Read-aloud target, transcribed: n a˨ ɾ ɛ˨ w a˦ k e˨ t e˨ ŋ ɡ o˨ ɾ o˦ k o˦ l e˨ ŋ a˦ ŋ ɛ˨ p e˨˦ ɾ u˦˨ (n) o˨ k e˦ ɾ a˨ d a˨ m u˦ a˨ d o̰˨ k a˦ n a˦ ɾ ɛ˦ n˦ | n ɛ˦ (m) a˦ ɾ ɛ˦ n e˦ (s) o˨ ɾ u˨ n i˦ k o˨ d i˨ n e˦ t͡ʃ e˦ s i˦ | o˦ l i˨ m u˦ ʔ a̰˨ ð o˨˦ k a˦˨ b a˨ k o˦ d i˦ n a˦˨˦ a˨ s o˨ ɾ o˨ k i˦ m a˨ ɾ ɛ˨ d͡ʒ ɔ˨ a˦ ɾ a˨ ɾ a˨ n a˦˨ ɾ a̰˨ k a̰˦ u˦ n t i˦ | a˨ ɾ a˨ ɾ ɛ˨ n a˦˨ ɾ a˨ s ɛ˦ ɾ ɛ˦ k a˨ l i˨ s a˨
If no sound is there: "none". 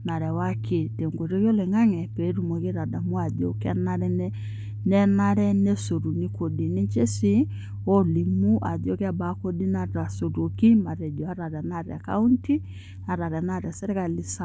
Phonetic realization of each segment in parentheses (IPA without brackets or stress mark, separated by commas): m, n, s